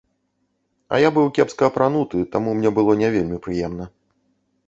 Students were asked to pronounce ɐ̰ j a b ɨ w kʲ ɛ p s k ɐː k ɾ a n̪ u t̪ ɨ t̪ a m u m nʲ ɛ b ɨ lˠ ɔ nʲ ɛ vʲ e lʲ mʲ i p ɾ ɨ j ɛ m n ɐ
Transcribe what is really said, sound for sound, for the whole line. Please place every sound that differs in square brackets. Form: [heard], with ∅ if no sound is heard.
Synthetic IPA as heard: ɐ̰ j a b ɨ w kʲ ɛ p s k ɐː [p] ɾ a n̪ u t̪ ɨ t̪ a m u m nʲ ɛ b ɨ lˠ ɔ nʲ ɛ vʲ e lʲ mʲ i p ɾ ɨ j ɛ m n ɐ